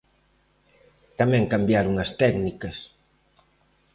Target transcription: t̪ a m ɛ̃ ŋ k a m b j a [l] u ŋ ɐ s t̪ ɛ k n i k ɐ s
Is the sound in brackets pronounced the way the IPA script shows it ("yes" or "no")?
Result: no